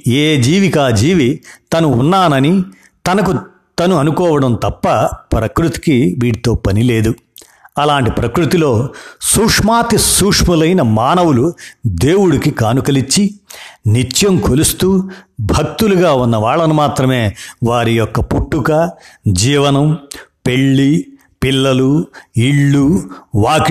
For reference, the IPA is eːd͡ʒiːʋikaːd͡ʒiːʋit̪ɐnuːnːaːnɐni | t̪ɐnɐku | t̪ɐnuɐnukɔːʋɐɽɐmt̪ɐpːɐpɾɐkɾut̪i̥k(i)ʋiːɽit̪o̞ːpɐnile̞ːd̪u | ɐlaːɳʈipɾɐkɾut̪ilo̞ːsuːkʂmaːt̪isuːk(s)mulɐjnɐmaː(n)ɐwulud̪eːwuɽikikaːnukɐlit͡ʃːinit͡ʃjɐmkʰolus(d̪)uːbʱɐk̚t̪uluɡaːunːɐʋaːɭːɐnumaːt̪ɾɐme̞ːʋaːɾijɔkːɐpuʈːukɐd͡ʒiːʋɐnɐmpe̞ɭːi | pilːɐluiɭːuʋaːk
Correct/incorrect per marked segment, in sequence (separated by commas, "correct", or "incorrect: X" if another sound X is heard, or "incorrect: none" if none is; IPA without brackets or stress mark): correct, incorrect: ʂ, correct, incorrect: t̪